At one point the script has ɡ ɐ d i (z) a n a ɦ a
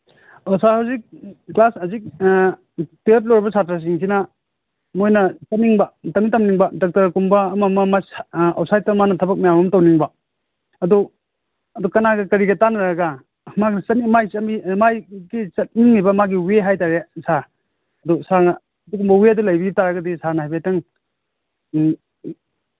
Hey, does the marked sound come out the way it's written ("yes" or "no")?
no